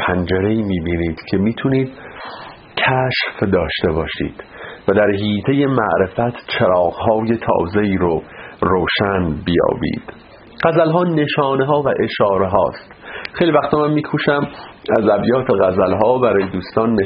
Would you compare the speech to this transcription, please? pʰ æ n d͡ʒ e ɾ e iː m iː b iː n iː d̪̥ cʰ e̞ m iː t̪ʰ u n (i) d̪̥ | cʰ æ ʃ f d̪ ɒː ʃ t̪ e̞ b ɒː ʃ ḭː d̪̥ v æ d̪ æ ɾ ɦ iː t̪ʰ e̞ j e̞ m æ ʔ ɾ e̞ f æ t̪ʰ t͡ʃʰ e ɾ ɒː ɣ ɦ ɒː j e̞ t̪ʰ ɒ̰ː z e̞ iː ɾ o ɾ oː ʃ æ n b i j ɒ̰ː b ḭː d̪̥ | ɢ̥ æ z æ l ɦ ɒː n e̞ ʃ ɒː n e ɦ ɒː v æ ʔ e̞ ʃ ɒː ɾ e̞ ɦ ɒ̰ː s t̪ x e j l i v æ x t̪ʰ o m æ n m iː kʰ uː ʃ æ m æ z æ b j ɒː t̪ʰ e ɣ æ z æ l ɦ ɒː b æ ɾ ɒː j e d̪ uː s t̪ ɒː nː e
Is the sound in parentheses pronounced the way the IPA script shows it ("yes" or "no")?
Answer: no